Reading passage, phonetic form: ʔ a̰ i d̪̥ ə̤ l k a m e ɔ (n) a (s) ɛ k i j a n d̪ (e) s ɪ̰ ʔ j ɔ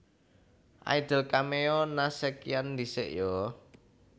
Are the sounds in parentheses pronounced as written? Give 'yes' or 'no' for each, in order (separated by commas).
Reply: yes, yes, no